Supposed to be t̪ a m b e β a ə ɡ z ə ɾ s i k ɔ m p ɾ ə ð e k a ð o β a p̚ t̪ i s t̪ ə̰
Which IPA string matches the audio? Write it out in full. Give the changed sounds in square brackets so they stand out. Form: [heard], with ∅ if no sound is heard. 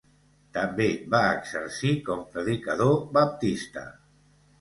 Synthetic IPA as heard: t̪ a m b e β a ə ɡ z ə ɾ s i k ɔ m p ɾ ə ð [i] k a ð o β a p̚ t̪ i s t̪ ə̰